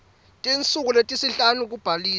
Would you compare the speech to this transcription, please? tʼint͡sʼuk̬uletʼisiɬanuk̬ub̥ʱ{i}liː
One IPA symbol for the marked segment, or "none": a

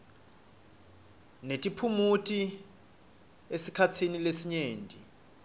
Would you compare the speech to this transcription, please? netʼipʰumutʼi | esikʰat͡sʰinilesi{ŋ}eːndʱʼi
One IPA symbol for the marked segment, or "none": ɲ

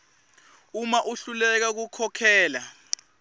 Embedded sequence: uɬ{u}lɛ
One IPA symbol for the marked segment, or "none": u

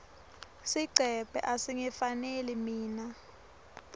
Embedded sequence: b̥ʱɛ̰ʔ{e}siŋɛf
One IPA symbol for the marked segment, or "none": a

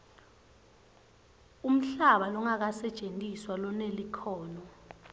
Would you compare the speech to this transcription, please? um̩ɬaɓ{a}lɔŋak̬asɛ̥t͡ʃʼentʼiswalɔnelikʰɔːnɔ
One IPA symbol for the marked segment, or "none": a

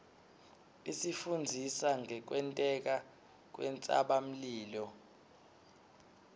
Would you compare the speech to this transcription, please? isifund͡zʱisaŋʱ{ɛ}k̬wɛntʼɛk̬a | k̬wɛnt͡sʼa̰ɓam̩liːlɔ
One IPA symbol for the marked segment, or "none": ɛ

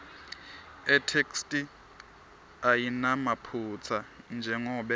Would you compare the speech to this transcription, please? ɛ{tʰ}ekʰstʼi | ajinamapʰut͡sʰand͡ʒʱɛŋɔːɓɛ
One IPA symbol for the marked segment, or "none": tʰ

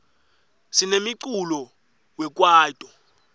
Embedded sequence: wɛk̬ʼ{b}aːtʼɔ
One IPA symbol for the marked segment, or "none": w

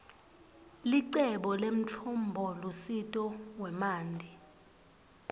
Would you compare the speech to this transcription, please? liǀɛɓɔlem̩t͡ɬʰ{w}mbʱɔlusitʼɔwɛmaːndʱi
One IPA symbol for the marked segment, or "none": u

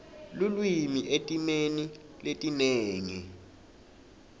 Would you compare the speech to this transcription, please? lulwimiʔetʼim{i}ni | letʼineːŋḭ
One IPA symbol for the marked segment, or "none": e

